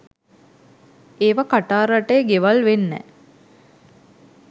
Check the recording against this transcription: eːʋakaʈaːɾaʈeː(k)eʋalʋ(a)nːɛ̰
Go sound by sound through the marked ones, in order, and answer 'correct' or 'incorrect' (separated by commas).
incorrect, incorrect